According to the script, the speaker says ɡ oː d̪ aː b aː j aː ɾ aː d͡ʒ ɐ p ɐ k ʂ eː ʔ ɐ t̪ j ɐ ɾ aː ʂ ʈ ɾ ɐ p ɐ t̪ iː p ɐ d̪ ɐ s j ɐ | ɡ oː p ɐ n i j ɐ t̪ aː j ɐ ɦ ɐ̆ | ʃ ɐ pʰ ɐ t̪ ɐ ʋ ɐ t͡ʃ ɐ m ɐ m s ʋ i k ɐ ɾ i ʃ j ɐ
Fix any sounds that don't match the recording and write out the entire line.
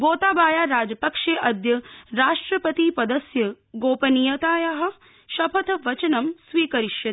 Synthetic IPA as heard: ɡ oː t̪ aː b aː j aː ɾ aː d͡ʒ ɐ p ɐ k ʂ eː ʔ ɐ d̪ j ɐ ɾ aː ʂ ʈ ɾ ɐ p ɐ t̪ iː p ɐ d̪ ɐ s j ɐ | ɡ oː p ɐ n i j ɐ t̪ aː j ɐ ɦ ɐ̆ | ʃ ɐ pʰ ɐ t̪ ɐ ʋ ɐ t͡ʃ ɐ n ɐ m s ʋ iː k ɐ ɾ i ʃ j ɐ